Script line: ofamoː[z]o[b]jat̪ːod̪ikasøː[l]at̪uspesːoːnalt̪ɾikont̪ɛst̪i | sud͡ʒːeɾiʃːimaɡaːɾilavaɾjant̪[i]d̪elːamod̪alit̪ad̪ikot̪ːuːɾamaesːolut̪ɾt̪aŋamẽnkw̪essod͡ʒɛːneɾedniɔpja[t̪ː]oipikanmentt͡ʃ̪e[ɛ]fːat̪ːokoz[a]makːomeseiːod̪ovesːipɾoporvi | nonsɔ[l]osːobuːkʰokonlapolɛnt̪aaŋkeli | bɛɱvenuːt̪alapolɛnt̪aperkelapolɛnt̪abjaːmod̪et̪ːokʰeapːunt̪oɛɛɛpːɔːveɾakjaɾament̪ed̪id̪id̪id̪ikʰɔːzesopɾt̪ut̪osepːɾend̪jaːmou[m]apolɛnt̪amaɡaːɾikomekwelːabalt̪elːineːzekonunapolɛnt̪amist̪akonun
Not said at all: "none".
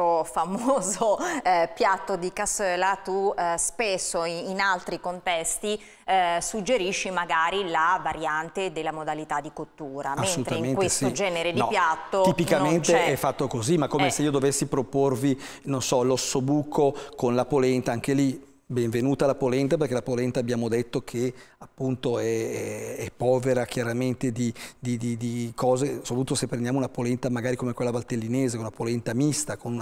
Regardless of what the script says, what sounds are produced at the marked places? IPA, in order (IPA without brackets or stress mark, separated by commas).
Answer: z, p, l, e, t̪ː, ɛ, i, l, n